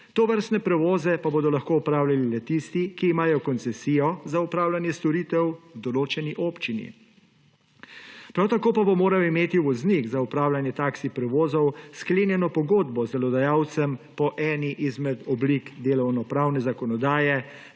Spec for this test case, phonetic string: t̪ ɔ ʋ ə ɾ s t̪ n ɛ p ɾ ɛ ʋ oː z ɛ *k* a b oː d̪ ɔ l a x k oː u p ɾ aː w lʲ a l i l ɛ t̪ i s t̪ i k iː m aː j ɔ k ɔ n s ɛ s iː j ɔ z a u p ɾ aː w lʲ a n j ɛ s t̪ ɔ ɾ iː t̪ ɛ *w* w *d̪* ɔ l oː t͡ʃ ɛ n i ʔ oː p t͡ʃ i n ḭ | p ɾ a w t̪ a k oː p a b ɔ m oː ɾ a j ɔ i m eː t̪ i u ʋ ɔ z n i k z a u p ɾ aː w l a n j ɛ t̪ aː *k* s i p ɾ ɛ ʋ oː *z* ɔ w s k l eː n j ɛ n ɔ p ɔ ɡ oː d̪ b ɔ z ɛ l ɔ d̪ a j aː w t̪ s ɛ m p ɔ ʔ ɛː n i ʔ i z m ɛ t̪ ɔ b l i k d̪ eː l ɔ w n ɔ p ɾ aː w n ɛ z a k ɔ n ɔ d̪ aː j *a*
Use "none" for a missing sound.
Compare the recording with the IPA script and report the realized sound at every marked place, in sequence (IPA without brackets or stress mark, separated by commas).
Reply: p, w, d̪, k, z, ɛ